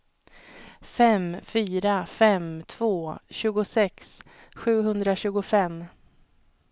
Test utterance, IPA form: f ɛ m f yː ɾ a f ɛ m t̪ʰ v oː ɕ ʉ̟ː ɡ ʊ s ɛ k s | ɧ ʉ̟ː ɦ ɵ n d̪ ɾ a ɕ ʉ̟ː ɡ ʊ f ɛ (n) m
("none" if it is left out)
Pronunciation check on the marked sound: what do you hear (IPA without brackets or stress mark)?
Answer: none